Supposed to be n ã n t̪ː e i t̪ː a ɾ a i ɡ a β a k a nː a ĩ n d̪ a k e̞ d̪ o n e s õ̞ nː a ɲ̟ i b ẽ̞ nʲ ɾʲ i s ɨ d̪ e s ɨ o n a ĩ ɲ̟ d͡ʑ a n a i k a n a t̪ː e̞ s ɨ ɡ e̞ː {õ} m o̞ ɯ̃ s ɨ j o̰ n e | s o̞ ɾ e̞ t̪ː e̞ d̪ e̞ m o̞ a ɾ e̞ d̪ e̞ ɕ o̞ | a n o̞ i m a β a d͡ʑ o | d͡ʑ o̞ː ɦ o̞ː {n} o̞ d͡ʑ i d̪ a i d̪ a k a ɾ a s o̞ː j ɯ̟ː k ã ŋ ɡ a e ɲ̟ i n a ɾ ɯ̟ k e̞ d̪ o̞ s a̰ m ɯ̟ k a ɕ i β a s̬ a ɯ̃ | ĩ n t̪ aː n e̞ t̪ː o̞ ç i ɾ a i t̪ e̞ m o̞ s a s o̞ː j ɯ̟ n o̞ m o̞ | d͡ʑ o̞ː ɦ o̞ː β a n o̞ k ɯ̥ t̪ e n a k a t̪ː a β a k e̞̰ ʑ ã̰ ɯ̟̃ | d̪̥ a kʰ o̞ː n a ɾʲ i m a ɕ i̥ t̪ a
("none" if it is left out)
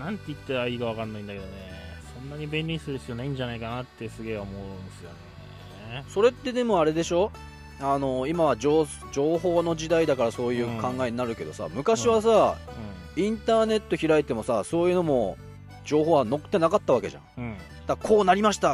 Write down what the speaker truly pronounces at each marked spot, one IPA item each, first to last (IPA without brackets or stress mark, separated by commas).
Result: o, n